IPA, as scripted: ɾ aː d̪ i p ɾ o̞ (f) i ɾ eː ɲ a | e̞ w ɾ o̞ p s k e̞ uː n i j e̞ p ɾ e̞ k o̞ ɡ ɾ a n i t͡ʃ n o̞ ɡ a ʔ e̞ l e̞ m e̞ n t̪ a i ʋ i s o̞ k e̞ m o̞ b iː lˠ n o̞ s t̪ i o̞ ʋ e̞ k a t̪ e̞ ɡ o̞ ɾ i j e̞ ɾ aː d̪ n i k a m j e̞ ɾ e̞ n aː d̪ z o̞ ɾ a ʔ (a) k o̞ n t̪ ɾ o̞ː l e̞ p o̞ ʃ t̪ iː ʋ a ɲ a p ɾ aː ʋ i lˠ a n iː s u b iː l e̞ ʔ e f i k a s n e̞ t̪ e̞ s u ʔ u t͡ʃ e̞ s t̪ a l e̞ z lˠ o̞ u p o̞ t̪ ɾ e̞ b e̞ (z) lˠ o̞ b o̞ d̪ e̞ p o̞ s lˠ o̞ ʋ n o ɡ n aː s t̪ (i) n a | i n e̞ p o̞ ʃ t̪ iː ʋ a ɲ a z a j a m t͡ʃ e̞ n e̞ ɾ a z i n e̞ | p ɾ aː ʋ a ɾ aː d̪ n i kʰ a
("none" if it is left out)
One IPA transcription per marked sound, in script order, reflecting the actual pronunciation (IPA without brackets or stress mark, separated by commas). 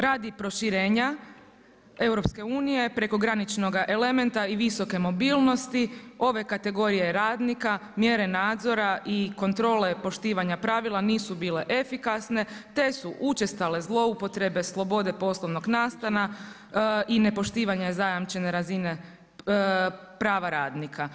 ʃ, i, s, a